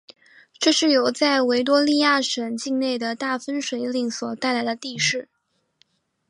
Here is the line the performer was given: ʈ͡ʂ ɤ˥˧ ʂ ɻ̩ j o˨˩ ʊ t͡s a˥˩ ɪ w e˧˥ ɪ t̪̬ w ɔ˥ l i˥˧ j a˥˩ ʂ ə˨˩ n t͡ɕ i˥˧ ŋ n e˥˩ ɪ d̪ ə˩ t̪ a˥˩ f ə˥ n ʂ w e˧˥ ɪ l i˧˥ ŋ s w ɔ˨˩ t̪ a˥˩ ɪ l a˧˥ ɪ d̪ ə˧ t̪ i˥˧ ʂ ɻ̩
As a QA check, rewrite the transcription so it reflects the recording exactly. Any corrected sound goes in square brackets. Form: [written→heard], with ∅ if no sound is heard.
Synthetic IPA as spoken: ʈ͡ʂ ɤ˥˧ ʂ ɻ̩ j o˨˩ ʊ t͡s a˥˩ ɪ w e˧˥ ɪ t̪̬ w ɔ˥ l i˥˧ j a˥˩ ʂ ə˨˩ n t͡ɕ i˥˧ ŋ n e˥˩ ɪ d̪ ə˩ t̪ a˥˩ f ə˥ n ʂ w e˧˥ ɪ l [i˧˥→i˥˩] ŋ s w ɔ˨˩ t̪ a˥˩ ɪ l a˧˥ ɪ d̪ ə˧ t̪ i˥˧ ʂ ɻ̩